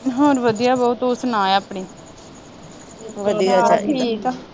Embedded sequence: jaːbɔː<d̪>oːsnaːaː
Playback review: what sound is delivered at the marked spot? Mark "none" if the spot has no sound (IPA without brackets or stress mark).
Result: t̪